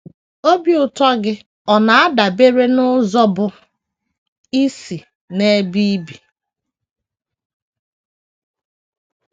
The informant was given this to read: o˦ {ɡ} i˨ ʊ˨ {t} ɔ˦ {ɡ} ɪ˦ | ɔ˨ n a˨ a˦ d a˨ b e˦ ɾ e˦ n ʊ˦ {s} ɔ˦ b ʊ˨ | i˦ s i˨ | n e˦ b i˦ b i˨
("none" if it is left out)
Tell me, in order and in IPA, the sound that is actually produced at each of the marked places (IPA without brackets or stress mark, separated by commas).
b, t, ɡ, z